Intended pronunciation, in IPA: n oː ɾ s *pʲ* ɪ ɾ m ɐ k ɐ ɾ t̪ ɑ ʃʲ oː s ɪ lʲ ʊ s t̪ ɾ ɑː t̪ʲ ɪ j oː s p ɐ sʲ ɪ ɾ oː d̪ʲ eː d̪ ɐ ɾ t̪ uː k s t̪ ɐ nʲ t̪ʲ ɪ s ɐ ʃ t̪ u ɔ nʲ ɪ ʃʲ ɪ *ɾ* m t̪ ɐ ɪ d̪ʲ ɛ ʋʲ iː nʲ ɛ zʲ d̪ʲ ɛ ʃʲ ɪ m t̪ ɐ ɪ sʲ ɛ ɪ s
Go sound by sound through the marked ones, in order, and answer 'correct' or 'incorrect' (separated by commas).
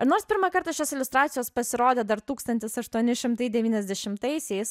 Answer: correct, incorrect